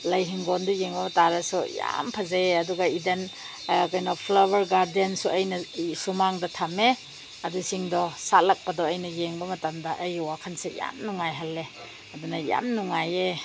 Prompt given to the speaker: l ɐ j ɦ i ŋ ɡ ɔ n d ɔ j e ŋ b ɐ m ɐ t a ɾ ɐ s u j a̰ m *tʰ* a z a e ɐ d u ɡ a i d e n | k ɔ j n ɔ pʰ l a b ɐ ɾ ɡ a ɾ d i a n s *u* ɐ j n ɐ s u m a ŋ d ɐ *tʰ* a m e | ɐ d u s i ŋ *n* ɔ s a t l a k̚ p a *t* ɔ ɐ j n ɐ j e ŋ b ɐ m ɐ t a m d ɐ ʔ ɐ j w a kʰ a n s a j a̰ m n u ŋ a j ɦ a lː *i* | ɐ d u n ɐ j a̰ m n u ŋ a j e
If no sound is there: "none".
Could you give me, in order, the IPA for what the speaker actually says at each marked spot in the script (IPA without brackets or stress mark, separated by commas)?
pʰ, u, tʰ, d, d, e